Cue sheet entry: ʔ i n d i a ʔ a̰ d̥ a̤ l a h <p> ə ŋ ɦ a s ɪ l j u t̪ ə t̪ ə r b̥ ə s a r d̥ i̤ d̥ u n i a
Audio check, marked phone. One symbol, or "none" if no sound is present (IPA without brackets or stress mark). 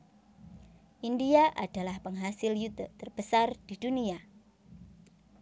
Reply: p